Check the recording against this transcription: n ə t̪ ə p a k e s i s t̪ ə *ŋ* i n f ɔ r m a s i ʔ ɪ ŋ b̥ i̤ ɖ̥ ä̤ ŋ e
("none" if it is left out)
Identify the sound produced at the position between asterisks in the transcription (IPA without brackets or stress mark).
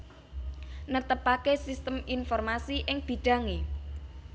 m